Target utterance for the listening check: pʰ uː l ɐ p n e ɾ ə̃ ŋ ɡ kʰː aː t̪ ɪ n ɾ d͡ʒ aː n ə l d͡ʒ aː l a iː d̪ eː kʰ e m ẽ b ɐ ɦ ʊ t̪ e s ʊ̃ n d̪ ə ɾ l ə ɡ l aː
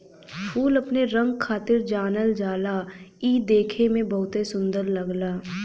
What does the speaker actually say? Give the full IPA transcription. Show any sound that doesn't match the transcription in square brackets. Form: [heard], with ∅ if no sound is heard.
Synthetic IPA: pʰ uː l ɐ p n e ɾ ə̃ ŋ ɡ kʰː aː t̪ ɪ [∅] ɾ d͡ʒ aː n ə l d͡ʒ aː l a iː d̪ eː kʰ e m ẽ b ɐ ɦ ʊ t̪ e s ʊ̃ n d̪ ə ɾ l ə ɡ l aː

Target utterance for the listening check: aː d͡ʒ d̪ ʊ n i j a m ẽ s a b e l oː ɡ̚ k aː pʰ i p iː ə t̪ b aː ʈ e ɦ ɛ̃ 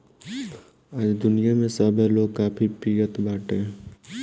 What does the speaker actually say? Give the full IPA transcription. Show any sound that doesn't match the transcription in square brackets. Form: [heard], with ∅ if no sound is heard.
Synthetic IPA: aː d͡ʒ d̪ ʊ n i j a m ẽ s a b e l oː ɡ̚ k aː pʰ i p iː ə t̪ b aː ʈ e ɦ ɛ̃

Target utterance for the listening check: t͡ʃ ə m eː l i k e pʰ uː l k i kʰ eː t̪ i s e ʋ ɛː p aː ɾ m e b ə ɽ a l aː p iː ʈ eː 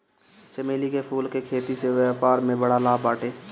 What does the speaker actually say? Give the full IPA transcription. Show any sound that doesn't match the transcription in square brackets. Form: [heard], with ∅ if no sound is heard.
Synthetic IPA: t͡ʃ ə m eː l i k e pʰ uː l k [e] kʰ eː t̪ i s e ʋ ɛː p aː ɾ m [ẽ] b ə ɽ a l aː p [aː] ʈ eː

